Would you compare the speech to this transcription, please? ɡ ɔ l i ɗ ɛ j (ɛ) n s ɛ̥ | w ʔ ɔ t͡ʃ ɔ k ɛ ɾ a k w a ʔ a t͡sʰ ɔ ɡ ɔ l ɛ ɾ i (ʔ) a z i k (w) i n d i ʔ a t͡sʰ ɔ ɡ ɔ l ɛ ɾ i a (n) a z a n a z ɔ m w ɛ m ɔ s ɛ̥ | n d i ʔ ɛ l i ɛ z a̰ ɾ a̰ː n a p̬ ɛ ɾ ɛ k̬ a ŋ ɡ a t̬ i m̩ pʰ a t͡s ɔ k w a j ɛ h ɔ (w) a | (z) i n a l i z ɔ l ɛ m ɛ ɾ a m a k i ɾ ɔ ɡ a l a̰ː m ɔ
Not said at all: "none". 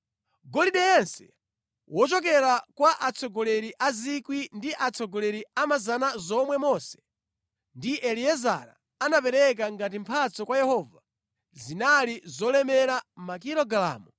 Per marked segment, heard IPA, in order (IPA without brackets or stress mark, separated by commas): ɛ, ʔ, w, m, v, z